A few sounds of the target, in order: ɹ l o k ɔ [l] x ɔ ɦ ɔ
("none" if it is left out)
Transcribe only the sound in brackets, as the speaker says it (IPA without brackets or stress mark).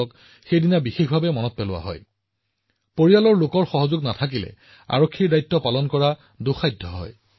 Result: ɹ